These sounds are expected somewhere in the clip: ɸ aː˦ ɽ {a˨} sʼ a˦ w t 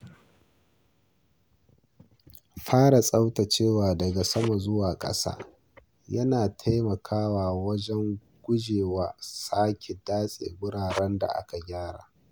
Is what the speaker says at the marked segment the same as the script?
yes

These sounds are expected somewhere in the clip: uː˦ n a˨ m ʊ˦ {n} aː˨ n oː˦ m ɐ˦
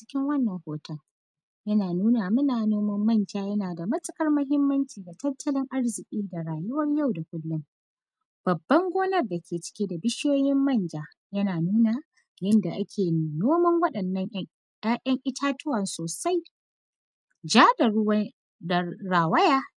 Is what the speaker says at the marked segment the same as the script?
yes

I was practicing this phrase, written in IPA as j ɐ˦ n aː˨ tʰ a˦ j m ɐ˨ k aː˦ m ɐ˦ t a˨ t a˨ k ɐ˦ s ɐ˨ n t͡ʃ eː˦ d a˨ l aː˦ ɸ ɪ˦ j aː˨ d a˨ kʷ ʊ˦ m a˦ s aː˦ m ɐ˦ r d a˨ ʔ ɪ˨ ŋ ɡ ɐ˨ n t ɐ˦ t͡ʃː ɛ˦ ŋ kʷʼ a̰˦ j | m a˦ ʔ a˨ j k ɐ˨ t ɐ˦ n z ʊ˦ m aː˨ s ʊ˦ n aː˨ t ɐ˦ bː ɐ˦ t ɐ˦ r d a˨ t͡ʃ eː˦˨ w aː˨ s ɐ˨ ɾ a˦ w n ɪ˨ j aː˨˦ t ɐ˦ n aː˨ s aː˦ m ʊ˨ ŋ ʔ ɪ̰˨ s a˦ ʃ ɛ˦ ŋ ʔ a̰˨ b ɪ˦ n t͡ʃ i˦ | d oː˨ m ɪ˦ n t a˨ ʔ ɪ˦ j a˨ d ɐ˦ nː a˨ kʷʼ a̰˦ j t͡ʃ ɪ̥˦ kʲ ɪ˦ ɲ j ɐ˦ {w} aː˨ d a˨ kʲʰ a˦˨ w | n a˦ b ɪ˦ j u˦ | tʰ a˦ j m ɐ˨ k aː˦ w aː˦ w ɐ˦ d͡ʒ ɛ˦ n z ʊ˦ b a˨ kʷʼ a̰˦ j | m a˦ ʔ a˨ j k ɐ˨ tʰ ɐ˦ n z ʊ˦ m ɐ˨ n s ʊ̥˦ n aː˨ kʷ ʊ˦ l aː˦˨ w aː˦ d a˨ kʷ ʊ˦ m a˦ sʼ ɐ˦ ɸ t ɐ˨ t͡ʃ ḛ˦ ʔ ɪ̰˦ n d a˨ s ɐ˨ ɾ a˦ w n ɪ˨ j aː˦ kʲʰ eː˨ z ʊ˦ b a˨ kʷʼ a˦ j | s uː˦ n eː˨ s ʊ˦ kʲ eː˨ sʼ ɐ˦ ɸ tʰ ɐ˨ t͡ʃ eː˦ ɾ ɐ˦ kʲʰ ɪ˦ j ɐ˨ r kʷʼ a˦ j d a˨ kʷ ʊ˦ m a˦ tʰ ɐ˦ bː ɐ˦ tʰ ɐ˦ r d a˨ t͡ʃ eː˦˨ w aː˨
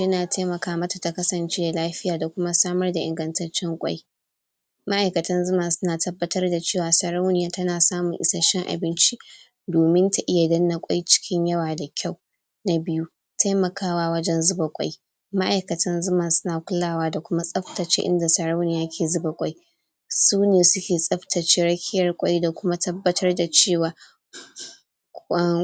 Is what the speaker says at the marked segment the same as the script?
yes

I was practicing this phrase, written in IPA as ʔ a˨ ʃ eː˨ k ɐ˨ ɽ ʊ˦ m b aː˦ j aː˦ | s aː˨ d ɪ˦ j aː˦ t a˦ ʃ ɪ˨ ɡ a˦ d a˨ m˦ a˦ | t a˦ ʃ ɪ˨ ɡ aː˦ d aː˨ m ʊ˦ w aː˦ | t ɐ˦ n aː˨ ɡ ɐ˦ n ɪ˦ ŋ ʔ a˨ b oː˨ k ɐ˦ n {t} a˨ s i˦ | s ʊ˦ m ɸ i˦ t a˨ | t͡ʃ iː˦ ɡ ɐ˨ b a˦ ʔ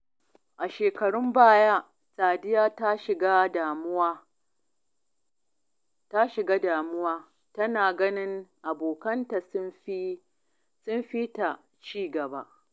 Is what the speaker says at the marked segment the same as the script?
yes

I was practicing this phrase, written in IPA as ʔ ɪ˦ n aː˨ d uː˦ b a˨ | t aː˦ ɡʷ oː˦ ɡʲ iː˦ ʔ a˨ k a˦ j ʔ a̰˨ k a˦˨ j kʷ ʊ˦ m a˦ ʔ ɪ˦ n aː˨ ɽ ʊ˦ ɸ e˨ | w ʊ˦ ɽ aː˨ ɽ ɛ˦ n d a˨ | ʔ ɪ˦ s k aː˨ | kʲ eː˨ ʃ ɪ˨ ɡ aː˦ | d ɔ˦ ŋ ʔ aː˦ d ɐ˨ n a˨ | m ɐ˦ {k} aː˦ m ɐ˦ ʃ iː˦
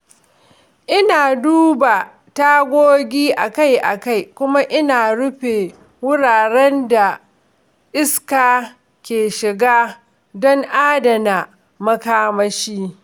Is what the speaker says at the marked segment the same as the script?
yes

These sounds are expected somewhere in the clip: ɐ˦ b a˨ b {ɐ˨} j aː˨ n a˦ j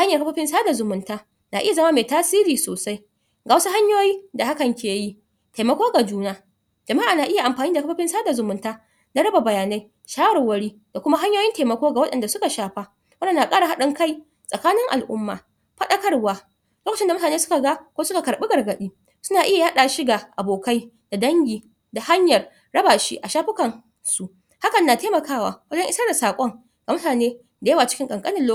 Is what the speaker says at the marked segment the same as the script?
yes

